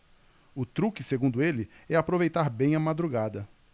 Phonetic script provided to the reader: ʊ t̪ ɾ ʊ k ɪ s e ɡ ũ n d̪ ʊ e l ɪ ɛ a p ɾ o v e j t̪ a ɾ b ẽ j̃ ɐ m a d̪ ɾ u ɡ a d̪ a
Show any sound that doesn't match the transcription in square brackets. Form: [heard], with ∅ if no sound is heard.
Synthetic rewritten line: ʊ t̪ ɾ [u] k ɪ s e ɡ ũ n d̪ ʊ e l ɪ ɛ a p ɾ o v e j t̪ a ɾ b ẽ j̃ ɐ m a d̪ ɾ u ɡ a d̪ [ɐ]